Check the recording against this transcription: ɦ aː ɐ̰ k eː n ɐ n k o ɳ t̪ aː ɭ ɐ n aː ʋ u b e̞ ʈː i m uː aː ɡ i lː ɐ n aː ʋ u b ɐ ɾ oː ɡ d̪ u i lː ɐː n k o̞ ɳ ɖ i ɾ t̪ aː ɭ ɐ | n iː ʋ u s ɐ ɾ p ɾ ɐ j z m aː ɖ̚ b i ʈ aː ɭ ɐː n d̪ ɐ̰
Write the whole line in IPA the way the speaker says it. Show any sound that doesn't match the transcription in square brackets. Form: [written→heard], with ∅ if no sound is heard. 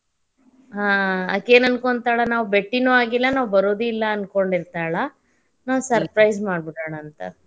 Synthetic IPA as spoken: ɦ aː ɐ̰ k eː n ɐ n k o ɳ t̪ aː ɭ ɐ n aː ʋ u b e̞ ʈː i [m→n] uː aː ɡ i lː ɐ n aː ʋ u b ɐ ɾ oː [ɡ→∅] d̪ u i lː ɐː n k o̞ ɳ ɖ i ɾ t̪ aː ɭ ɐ | n [iː→aː] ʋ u s ɐ ɾ p ɾ ɐ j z m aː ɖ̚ b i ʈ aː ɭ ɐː n [d̪→t̪] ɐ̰